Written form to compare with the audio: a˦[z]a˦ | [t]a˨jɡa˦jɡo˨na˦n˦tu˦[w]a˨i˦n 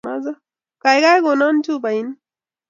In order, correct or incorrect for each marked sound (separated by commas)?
correct, incorrect, incorrect